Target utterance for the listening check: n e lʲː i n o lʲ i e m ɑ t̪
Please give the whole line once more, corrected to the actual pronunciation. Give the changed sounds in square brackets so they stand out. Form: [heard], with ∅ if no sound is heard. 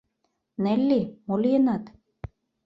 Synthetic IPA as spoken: n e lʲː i [m] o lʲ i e [n] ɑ t̪